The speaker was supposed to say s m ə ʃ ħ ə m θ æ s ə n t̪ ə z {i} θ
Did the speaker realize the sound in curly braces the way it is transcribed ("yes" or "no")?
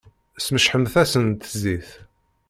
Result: yes